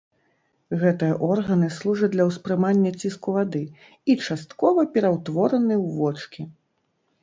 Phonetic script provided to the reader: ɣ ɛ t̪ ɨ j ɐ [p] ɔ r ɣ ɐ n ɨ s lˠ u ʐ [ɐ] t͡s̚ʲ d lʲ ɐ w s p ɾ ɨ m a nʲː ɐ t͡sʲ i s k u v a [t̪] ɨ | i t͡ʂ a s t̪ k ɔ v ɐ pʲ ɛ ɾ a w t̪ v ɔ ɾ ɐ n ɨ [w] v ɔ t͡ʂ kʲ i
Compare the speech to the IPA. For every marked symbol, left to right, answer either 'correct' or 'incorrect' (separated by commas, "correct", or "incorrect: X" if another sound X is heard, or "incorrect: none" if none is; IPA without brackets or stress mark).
incorrect: ʔ, correct, incorrect: d̪, correct